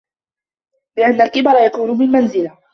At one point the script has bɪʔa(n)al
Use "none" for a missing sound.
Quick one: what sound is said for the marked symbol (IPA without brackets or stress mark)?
nː